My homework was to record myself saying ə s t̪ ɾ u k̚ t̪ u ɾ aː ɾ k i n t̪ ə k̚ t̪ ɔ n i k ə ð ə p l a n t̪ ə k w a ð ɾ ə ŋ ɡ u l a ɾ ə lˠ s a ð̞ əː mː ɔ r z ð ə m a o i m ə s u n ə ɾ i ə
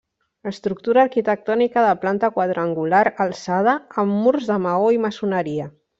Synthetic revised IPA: ə s t̪ ɾ u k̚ t̪ u ɾ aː ɾ k i t̪ ə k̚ t̪ ɔ n i k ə ð ə p l a n t̪ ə k w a ð ɾ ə ŋ ɡ u l a ɾ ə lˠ s a ð̞ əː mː u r z ð ə m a o i m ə s u n ə ɾ i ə